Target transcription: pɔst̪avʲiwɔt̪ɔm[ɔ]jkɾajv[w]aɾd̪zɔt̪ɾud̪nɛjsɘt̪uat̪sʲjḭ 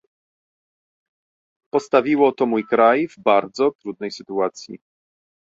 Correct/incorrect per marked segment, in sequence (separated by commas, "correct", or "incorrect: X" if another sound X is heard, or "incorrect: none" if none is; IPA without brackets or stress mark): incorrect: u, incorrect: b